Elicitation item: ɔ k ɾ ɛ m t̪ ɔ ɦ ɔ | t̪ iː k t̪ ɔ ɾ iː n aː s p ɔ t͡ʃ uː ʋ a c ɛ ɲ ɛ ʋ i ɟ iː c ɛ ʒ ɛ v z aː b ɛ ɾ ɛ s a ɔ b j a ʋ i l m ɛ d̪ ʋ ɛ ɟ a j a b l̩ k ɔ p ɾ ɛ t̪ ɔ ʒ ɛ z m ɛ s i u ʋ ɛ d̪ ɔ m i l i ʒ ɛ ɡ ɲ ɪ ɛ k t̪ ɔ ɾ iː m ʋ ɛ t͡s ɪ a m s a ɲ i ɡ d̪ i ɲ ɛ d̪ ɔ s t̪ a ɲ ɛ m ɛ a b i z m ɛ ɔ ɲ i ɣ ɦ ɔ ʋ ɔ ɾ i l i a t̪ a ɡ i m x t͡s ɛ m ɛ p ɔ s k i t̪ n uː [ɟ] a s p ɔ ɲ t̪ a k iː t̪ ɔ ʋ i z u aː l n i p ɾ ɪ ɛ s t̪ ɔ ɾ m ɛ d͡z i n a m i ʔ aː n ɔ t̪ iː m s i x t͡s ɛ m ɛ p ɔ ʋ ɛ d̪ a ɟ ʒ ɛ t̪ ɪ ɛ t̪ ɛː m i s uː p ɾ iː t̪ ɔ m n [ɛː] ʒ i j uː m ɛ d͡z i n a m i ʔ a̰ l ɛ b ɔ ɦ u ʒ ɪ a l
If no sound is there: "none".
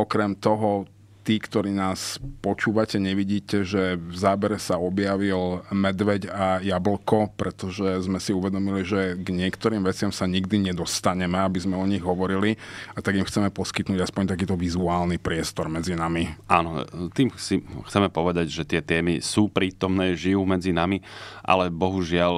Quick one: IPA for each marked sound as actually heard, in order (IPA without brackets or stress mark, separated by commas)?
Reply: ɟ, ɛː